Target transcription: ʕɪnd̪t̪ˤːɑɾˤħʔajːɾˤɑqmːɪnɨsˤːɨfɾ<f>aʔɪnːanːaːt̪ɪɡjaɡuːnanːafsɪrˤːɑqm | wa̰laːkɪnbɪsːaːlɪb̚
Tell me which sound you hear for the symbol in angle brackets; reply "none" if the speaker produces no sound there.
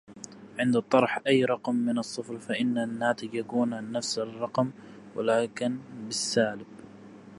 f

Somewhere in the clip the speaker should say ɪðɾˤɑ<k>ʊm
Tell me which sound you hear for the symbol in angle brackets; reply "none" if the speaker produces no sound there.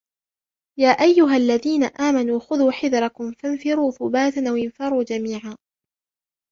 k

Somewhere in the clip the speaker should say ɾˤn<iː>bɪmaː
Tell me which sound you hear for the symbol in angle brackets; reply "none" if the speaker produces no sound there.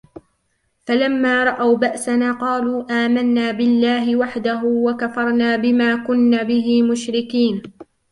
aː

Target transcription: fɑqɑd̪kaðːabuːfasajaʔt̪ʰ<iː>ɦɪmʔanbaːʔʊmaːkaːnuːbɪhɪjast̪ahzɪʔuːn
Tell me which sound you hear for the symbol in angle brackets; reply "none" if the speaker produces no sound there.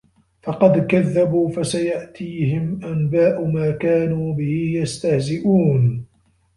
iː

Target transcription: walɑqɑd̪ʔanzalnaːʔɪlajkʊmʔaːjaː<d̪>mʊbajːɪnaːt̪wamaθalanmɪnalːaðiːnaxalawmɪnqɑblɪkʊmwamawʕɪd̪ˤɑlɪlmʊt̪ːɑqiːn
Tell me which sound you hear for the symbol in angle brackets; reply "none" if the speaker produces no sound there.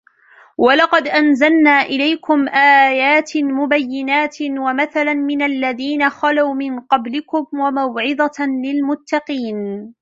t̪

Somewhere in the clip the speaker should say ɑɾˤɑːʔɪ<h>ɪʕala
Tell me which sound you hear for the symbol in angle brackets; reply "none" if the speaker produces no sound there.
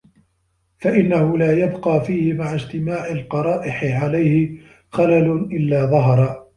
ħ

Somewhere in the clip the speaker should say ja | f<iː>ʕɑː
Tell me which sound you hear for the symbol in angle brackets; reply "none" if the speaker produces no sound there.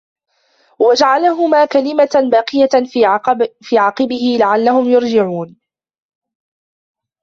iː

